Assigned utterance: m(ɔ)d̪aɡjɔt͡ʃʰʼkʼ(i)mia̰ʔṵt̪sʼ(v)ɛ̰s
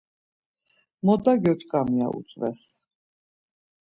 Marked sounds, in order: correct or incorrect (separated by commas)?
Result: correct, incorrect, correct